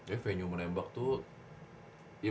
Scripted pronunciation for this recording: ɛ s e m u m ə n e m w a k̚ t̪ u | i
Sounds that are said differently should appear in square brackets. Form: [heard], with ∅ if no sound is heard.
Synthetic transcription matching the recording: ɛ [f] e [ɲ] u m ə n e m [b] a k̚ t̪ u | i